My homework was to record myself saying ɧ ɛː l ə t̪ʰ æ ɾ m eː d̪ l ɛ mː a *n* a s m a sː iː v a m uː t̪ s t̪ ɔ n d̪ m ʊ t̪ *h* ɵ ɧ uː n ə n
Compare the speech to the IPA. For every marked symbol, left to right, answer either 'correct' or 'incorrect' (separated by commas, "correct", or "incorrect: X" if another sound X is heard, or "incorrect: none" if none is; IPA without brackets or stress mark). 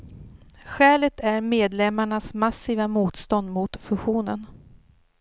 incorrect: ɳ, incorrect: f